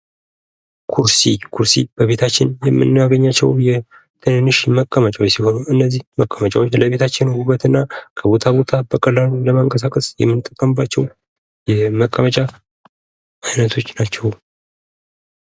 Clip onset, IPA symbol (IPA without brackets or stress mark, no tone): kʰ